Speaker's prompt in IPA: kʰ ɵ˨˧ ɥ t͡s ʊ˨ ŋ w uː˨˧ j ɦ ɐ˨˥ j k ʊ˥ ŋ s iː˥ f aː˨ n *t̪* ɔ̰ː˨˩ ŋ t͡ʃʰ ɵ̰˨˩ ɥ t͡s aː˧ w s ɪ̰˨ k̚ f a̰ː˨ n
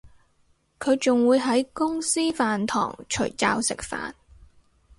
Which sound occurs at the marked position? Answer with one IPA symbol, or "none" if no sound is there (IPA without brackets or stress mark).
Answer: t̪ʰ